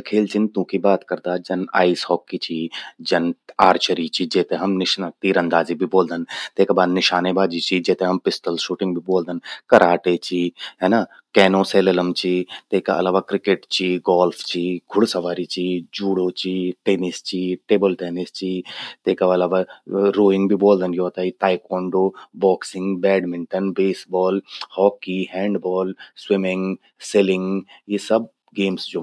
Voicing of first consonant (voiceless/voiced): voiceless